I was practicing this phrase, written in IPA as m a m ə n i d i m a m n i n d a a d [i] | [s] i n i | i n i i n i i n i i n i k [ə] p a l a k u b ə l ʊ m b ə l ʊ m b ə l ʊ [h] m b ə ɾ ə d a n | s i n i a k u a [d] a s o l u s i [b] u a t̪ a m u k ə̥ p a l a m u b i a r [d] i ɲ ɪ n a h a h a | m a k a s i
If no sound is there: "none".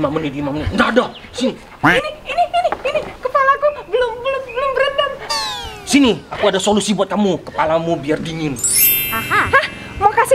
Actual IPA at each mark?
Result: a, s, ə, none, d, b, d

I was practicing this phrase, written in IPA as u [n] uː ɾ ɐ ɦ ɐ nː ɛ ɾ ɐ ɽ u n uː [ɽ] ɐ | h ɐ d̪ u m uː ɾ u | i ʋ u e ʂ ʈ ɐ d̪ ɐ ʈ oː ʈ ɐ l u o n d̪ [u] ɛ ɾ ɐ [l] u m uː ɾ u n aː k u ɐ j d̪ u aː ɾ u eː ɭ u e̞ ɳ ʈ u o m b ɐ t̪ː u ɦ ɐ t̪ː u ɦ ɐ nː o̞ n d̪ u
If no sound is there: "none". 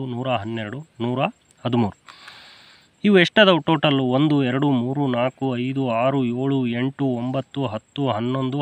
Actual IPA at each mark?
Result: n, ɾ, u, ɽ

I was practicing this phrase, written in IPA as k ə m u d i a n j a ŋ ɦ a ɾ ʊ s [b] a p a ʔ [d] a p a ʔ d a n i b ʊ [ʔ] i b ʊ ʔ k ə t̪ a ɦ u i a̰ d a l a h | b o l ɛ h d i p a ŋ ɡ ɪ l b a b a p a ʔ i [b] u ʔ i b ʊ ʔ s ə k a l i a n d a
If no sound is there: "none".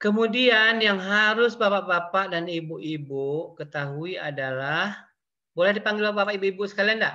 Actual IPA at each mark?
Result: b, b, ʔ, b

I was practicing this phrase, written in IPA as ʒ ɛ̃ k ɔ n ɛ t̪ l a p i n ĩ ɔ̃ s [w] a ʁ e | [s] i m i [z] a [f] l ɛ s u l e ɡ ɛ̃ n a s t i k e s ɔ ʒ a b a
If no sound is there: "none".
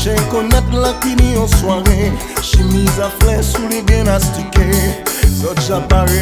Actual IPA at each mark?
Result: w, ʃ, z, f

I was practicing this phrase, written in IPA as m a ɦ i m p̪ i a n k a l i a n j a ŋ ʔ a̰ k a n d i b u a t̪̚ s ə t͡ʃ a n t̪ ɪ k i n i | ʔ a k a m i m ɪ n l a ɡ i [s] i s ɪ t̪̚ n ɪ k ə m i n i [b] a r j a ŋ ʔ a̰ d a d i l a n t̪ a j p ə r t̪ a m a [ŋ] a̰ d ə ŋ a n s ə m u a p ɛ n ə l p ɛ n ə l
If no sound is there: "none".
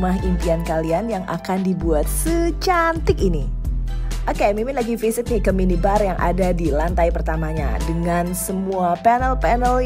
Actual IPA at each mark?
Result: f, b, ɲ

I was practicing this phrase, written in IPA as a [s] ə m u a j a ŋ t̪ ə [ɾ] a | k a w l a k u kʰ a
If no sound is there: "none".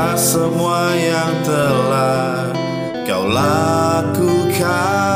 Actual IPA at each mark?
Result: s, l

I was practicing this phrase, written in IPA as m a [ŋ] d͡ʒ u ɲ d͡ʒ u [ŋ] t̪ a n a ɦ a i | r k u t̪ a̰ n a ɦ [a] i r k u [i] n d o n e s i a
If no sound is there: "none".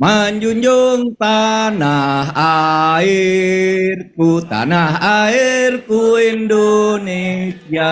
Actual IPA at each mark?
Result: ɲ, ŋ, a, i

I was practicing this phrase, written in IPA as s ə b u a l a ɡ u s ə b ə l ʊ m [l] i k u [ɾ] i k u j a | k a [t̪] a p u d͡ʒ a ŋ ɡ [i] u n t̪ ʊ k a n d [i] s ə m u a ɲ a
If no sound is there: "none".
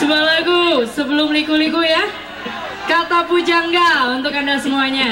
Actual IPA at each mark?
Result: l, l, t̪, a, a

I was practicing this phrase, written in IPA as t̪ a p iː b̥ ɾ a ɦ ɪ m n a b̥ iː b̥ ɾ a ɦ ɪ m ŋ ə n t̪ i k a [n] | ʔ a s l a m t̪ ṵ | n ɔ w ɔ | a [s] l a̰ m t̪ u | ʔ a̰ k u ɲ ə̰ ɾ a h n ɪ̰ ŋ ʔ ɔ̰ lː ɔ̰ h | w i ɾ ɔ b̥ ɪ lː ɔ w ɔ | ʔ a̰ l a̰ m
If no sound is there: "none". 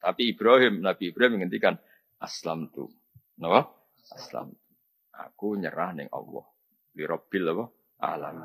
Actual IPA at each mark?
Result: n, s

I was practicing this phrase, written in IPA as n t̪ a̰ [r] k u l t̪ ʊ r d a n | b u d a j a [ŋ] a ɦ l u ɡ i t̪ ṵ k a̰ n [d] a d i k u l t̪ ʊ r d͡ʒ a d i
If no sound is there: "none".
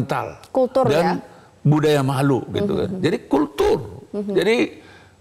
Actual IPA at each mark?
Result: l, m, d͡ʒ

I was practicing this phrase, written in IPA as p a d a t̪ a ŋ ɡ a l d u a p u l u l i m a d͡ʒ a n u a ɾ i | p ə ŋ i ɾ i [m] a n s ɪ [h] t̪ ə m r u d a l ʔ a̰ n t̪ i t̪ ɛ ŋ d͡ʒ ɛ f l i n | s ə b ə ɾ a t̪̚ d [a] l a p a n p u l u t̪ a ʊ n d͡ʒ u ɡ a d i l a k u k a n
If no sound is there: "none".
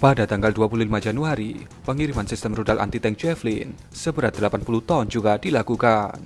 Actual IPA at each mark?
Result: m, s, ə

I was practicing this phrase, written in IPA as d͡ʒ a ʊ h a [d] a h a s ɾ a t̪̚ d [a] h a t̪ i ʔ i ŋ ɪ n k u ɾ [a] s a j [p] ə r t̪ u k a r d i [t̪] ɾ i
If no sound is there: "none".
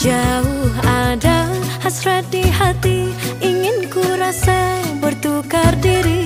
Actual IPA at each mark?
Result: d, i, a, b, none

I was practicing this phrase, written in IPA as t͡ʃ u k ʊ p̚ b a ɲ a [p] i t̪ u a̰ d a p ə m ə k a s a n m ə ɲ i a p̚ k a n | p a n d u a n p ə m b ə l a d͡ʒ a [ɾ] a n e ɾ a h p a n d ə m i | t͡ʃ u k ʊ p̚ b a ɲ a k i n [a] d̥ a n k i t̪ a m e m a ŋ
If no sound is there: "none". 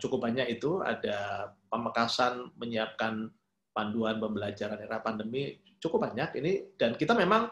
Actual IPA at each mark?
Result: k, ɾ, i

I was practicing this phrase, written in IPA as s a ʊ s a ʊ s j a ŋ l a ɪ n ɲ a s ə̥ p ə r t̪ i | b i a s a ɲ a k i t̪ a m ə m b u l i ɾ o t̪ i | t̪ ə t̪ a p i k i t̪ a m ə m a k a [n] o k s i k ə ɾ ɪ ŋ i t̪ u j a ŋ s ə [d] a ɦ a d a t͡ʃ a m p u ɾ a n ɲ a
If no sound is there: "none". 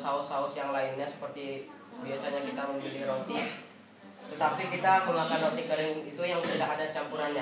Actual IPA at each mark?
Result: n, d

